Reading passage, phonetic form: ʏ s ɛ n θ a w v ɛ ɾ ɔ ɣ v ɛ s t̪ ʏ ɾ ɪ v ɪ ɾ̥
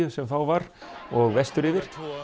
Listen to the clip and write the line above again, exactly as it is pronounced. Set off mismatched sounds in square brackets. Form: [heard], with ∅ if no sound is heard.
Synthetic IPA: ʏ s ɛ [m] θ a w v [a] ɾ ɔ ɣ v ɛ s t̪ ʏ ɾ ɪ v ɪ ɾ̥